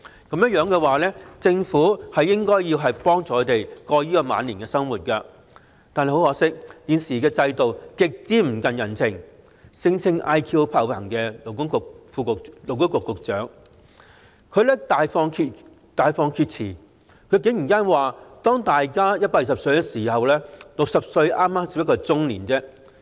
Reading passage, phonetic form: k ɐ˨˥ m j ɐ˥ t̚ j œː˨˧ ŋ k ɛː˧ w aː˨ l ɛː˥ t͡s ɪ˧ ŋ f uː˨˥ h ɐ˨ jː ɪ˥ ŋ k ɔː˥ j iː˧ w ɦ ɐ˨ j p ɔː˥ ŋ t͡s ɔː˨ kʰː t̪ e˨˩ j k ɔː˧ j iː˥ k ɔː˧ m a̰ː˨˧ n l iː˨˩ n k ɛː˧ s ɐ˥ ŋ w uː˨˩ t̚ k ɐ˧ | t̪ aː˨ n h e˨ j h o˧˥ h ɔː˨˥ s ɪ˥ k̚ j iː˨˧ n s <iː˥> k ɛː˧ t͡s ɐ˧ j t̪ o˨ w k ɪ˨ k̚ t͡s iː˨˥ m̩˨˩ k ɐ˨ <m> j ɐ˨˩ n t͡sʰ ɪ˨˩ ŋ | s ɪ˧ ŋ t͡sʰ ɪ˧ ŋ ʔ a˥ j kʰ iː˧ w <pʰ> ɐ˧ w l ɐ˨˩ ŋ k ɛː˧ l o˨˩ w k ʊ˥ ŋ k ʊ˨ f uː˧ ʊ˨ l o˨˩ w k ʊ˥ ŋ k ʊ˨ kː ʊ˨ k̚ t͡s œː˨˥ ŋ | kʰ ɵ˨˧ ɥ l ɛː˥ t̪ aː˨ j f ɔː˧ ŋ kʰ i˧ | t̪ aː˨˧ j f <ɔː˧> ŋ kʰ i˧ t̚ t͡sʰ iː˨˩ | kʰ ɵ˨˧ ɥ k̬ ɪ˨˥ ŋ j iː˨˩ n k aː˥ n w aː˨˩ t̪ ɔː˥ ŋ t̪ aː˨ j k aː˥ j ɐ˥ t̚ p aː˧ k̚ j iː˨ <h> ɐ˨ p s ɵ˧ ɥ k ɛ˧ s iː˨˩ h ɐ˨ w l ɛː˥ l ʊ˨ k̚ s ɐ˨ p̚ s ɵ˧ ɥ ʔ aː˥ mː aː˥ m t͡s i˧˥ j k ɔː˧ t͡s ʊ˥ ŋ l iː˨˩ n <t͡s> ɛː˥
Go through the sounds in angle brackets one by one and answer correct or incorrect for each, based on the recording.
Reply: incorrect, incorrect, correct, correct, incorrect, correct

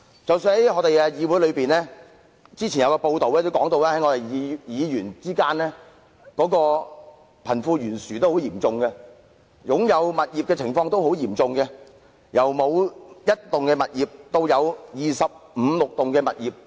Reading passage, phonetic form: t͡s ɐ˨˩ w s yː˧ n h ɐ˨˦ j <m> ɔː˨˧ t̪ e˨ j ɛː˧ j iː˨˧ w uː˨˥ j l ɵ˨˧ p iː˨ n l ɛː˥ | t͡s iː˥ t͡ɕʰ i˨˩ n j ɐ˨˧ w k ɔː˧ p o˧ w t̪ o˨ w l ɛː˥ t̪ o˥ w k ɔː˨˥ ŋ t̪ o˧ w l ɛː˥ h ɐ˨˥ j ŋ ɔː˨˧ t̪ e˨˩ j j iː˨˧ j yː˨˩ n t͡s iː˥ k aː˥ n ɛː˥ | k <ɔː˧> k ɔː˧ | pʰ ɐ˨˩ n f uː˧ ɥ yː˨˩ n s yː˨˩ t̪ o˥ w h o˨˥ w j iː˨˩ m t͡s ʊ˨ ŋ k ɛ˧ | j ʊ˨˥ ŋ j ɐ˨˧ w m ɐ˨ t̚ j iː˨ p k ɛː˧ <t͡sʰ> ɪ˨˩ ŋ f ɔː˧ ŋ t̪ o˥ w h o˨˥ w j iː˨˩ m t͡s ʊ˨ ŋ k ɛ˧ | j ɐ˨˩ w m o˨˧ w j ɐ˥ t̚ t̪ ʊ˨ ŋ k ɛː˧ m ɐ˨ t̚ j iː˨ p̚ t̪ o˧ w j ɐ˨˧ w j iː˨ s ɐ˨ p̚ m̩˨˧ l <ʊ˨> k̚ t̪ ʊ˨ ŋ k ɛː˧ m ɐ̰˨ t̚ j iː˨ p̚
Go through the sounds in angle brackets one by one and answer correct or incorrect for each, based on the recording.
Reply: incorrect, incorrect, correct, correct

